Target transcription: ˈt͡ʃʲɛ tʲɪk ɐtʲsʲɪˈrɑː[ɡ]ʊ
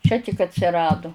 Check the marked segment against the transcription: incorrect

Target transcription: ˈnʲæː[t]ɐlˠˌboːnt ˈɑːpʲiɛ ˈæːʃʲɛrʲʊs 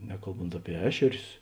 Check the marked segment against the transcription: incorrect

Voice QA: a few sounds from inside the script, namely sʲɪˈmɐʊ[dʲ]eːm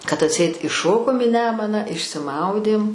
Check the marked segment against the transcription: correct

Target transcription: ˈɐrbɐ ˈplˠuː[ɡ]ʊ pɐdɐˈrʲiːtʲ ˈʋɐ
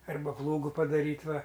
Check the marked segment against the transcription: correct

